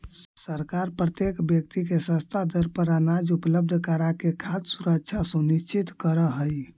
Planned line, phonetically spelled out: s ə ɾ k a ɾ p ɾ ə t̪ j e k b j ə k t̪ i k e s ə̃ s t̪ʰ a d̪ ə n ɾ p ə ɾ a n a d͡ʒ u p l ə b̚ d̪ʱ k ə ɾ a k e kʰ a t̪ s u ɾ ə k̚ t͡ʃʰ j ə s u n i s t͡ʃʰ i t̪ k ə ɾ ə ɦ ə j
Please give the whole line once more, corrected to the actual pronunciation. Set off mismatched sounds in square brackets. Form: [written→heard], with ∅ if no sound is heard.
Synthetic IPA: s ə ɾ k a ɾ p ɾ ə t̪ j e k b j ə k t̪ i k e s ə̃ s t̪ʰ a d̪ ə [n→∅] ɾ p ə ɾ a n a d͡ʒ u p l ə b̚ d̪ʱ k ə ɾ a k e kʰ a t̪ s u ɾ ə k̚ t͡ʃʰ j [ə→a] s u n i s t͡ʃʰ i t̪ k ə ɾ ə ɦ ə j

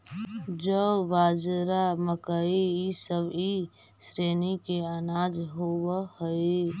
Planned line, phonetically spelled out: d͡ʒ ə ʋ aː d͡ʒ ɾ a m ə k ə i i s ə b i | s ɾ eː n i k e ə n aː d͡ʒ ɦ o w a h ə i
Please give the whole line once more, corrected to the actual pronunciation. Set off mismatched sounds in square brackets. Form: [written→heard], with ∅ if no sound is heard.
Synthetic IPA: d͡ʒ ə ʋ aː d͡ʒ ɾ a m ə k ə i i s ə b i | s ɾ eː n i k e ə n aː d͡ʒ ɦ o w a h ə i

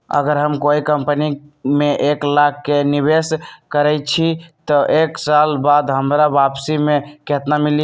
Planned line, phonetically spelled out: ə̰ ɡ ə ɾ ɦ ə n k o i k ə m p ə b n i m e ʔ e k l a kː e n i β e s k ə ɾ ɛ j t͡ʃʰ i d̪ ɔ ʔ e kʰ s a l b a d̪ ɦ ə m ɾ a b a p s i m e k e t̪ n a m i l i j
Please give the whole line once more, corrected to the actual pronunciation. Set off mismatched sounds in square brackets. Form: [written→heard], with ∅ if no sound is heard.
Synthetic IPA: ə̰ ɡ ə ɾ ɦ ə [n→m] k o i k ə m p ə [b→∅] n i m e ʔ e k l a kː e n i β e s k ə ɾ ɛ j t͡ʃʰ i [d̪→t̪] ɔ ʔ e [kʰ→k] s a l b a d̪ ɦ ə m ɾ a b a p s i m e k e t̪ n a m i l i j

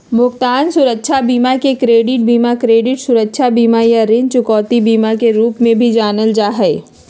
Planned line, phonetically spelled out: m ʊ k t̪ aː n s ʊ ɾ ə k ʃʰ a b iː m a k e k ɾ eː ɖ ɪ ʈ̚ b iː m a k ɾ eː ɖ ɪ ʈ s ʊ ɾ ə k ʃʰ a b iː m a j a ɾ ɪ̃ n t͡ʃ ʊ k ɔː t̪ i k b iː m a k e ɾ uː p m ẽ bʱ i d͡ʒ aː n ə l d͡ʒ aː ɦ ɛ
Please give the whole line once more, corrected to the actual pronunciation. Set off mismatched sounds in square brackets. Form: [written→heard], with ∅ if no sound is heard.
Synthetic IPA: m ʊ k t̪ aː n s ʊ ɾ ə k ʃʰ a b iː m a k e k ɾ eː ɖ ɪ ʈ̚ b iː m a k ɾ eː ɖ ɪ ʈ s ʊ ɾ ə k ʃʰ a b iː m a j a ɾ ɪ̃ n t͡ʃ ʊ k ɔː t̪ i [k→∅] b iː m a k e ɾ uː p m ẽ bʱ i d͡ʒ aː n ə l d͡ʒ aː ɦ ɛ

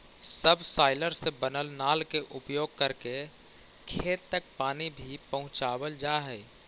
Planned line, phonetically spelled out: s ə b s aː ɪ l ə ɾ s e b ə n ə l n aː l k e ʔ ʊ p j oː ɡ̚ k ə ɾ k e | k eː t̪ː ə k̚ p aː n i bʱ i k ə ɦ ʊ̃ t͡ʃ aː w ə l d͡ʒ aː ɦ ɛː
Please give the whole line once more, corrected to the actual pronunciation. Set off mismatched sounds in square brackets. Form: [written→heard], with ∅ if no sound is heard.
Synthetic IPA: s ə b s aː ɪ l ə ɾ s e b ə n ə l n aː l k e ʔ ʊ p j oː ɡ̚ k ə ɾ k e | [k→kʰ] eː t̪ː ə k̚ p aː n i bʱ i [k→p] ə ɦ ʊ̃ t͡ʃ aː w ə l d͡ʒ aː ɦ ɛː

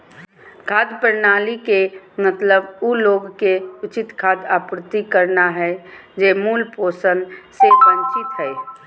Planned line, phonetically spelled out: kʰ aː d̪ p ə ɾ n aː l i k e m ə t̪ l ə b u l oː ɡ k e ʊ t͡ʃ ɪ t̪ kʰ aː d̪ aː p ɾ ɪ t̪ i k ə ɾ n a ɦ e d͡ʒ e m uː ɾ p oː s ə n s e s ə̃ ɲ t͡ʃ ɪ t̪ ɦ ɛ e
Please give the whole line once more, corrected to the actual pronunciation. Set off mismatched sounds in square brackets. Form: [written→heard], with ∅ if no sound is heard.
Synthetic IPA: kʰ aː d̪ p ə ɾ n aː l i k e m ə t̪ l ə b u l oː ɡ k e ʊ t͡ʃ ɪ t̪ kʰ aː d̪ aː p ɾ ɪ t̪ i k ə ɾ n a ɦ [e→ɛ] d͡ʒ e m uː [ɾ→l] p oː s ə n s e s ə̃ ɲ t͡ʃ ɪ t̪ ɦ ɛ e

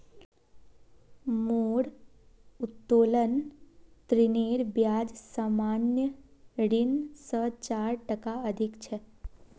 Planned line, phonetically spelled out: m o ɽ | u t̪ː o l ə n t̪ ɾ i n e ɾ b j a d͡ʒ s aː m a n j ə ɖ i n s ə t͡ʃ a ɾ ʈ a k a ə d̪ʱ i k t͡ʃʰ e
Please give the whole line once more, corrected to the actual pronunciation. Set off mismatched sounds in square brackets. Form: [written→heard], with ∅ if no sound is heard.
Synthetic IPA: m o ɽ | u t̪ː o l ə n t̪ ɾ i n e ɾ b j a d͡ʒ s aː m a n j ə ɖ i n s ə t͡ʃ a ɾ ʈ [a→ə] k a ə d̪ʱ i k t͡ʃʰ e

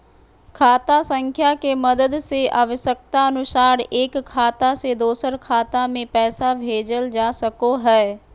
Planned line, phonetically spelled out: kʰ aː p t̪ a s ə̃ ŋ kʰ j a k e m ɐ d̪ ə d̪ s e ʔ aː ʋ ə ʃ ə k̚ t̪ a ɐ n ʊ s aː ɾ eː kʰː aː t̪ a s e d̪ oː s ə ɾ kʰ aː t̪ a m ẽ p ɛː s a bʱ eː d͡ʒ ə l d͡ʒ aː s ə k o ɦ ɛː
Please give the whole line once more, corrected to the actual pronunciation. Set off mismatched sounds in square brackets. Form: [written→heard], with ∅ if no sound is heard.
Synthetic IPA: kʰ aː [p→∅] t̪ a s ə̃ ŋ kʰ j a k e m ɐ d̪ ə d̪ s e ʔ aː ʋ ə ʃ ə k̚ t̪ a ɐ n ʊ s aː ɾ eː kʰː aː t̪ a s e d̪ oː s ə ɾ kʰ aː t̪ a m ẽ p ɛː s a bʱ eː d͡ʒ ə l d͡ʒ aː s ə k o ɦ ɛː

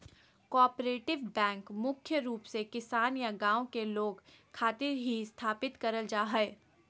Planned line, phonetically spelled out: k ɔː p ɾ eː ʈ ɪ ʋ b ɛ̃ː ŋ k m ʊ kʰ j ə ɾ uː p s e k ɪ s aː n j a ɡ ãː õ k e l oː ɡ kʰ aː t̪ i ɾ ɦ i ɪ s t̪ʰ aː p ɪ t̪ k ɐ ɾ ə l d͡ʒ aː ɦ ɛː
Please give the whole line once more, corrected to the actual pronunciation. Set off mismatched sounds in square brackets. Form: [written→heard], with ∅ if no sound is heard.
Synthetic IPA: k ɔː p ɾ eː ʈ ɪ ʋ b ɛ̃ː ŋ k m ʊ kʰ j ə ɾ uː p s e k ɪ s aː n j a ɡ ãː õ k e l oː ɡ kʰ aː t̪ [i→ɪ] ɾ ɦ i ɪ s t̪ʰ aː p ɪ t̪ k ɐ ɾ ə l d͡ʒ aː ɦ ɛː

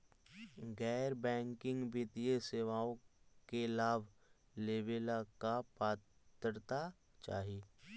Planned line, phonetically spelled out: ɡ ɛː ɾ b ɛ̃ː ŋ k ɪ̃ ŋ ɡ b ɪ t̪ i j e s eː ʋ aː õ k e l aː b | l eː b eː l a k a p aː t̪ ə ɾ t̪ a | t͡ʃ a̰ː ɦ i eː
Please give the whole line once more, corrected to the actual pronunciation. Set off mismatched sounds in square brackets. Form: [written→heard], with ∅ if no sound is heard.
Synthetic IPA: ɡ ɛː ɾ b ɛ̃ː ŋ k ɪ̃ ŋ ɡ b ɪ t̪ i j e s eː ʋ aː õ k e l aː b | l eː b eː l a k a p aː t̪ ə ɾ t̪ a | t͡ʃ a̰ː ɦ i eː

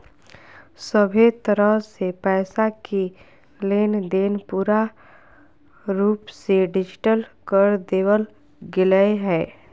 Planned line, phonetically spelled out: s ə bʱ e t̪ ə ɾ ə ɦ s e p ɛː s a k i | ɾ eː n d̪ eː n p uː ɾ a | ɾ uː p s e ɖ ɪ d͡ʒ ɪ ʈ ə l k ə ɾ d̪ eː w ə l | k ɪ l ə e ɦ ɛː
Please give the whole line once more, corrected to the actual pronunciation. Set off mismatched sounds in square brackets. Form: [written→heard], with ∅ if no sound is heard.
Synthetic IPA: s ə bʱ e t̪ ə ɾ ə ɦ s e p ɛː s a k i | [ɾ→l] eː n d̪ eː n p uː ɾ a | ɾ uː p s e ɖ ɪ d͡ʒ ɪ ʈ ə l k ə ɾ d̪ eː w ə l | [k→ɡ] ɪ l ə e ɦ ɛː

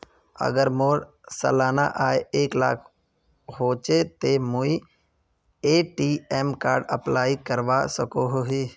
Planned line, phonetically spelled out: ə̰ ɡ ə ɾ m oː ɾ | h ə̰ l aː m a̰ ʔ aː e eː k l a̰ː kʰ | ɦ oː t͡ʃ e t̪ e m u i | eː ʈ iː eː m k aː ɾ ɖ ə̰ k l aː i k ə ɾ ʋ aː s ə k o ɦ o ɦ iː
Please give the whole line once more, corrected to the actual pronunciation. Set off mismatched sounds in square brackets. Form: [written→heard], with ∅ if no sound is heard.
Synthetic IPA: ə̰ ɡ ə ɾ m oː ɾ | [h→s] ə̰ l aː [m→n] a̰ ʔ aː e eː k l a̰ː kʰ | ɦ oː t͡ʃ e t̪ e m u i | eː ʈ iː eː m k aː ɾ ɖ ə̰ [k→p] l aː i k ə ɾ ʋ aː s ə k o ɦ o ɦ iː

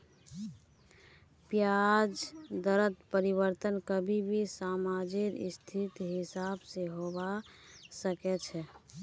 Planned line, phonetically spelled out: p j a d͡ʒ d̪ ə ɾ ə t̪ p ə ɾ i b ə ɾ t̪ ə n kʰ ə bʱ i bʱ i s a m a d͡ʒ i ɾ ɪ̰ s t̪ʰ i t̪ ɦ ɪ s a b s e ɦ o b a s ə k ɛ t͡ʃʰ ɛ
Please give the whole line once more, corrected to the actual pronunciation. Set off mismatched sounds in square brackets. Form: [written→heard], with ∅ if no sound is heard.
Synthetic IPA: p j a d͡ʒ d̪ ə ɾ ə t̪ p ə ɾ i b ə ɾ t̪ ə n [kʰ→k] ə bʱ i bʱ i s a m a d͡ʒ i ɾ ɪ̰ s t̪ʰ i t̪ ɦ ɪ s a b s e ɦ o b a s ə k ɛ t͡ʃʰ ɛ

